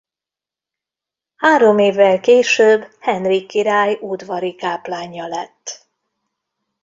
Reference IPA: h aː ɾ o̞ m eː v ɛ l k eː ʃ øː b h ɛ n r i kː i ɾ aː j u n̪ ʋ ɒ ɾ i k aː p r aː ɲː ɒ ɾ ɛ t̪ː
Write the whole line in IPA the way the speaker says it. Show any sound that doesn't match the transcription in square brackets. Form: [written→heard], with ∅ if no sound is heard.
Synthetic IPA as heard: h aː ɾ o̞ m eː [v→vː] ɛ l k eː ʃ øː b h ɛ n r i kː i ɾ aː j u [n̪→d̪] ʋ ɒ ɾ i k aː p [r→l] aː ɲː ɒ [ɾ→l] ɛ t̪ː